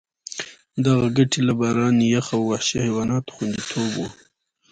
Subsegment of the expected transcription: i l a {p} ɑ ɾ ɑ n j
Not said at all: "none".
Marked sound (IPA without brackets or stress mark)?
b